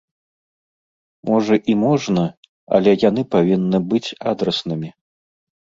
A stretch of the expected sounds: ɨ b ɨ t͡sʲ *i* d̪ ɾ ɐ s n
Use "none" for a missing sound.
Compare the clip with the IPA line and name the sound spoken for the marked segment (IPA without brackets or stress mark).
a